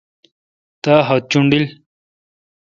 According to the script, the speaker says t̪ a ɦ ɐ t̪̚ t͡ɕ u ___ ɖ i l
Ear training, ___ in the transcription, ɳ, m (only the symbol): ɳ